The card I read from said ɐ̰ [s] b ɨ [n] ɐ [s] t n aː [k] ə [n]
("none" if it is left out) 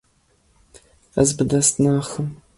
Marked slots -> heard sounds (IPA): z, d, s, x, m

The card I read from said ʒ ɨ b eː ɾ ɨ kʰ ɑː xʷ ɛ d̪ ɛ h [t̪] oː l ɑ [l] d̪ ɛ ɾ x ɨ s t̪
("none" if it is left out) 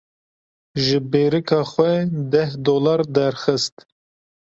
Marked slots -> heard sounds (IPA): d̪, ɾ

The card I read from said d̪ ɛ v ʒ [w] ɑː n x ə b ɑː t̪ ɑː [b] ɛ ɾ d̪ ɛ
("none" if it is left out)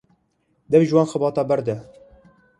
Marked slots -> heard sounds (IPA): w, b

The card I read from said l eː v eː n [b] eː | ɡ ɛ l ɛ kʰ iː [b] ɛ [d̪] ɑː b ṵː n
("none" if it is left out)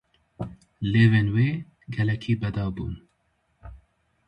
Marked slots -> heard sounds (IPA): w, b, d̪

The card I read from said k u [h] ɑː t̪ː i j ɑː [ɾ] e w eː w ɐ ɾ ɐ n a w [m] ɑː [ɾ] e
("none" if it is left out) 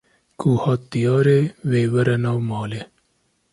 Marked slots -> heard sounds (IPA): h, ɾ, m, l

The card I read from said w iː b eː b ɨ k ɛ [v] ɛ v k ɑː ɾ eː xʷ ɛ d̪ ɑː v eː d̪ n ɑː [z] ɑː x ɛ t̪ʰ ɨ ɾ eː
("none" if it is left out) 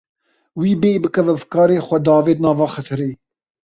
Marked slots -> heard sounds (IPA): v, v

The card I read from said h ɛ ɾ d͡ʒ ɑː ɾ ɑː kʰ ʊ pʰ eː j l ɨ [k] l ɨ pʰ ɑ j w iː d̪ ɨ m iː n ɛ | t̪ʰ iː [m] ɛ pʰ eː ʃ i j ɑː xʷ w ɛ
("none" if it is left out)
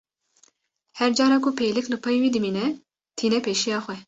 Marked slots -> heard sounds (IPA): k, n

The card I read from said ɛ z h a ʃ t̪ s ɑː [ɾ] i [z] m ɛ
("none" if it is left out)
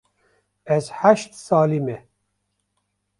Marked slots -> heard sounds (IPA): l, none

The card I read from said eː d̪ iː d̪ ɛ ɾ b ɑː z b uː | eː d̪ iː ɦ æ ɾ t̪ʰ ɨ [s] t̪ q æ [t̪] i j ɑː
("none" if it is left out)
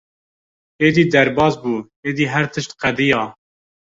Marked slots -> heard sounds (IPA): ʃ, d̪

